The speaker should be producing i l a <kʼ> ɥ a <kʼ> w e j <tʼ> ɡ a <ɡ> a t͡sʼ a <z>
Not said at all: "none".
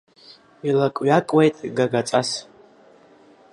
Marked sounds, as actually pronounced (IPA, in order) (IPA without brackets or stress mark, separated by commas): kʼ, kʼ, tʼ, ɡ, s